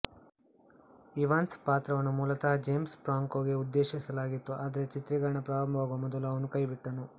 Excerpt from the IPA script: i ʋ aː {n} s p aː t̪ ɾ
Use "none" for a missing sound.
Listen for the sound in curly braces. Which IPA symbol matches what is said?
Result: n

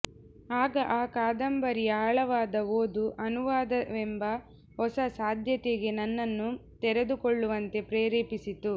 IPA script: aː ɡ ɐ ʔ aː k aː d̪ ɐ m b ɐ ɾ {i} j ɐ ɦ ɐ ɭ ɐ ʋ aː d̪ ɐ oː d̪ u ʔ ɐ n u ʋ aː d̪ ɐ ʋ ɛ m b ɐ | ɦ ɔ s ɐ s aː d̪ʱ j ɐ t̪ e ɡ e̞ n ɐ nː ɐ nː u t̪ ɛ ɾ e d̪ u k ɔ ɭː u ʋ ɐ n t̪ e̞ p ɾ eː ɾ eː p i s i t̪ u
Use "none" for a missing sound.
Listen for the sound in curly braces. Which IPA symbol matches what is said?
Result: i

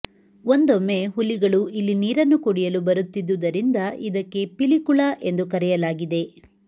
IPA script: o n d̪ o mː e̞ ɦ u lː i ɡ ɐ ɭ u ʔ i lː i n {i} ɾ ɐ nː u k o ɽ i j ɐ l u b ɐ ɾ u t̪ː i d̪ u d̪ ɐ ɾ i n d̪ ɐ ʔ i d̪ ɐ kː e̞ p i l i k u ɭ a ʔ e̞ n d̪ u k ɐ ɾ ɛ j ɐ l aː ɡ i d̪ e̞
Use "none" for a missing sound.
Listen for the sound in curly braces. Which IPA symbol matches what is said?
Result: iː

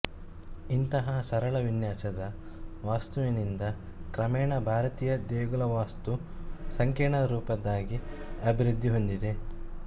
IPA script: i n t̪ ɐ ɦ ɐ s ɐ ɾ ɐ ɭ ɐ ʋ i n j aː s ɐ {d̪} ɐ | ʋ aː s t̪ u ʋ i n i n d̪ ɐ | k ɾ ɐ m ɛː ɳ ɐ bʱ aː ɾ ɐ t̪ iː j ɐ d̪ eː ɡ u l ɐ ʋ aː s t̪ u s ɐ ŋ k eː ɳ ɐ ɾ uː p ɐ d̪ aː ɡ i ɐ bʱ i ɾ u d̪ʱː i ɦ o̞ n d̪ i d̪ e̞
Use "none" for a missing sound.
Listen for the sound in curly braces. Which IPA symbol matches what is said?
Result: d̪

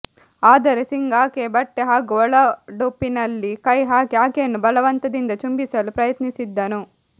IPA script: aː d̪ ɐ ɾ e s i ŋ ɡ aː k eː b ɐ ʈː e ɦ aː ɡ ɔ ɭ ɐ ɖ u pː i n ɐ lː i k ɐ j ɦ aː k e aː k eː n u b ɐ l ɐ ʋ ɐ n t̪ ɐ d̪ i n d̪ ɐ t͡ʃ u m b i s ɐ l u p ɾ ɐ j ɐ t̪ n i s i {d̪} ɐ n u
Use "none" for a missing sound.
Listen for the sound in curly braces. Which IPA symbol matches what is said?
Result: d̪ː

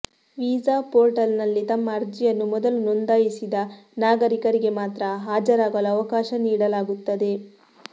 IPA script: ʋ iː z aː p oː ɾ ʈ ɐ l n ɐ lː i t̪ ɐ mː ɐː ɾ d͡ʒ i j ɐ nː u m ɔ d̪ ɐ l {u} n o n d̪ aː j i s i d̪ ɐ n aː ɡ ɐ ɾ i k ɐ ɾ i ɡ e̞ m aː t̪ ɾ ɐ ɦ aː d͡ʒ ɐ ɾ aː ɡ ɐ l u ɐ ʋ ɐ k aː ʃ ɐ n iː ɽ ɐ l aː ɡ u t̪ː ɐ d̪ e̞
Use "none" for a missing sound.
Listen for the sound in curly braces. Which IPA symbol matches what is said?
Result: u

